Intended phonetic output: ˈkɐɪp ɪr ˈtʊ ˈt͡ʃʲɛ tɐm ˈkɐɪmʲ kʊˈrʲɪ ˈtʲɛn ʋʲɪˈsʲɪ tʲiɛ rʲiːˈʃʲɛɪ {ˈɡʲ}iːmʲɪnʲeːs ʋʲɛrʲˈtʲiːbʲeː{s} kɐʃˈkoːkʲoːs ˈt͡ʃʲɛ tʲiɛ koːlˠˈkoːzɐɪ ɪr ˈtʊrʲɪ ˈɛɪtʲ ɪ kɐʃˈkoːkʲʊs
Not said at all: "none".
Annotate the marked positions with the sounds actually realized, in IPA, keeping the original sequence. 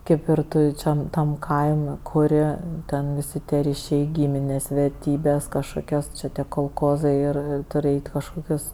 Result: ɡʲ, s

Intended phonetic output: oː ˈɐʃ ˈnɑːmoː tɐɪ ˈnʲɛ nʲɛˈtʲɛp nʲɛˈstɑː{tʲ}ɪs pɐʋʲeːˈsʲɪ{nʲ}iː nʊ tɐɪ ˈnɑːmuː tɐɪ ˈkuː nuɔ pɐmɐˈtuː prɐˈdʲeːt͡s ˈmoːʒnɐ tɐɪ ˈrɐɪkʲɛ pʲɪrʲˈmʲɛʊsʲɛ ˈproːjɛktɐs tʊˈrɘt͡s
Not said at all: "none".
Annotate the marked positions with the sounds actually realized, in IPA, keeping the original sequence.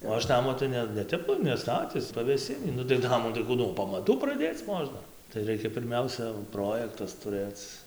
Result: tʲ, nʲ

